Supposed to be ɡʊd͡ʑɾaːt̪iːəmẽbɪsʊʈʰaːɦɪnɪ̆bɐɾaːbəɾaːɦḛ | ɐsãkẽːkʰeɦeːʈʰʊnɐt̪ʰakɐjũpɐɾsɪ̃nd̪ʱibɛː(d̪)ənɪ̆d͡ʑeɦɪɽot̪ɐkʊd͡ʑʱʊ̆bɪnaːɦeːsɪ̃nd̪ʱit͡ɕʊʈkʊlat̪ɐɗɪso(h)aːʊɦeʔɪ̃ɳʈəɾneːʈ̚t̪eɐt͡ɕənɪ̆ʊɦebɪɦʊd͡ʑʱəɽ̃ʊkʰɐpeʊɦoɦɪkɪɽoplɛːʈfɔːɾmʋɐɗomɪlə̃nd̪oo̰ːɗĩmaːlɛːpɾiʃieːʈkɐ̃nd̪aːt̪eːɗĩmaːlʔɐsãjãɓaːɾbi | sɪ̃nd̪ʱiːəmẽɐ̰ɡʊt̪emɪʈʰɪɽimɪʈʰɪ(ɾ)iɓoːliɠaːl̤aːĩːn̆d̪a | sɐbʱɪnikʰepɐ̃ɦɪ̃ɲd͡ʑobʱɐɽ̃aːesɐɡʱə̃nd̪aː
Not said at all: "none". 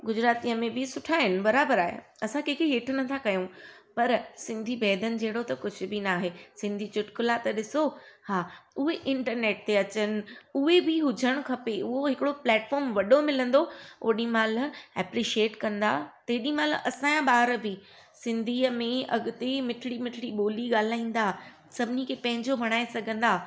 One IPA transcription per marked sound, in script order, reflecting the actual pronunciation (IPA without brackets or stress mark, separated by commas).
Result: d̪, h, ɽ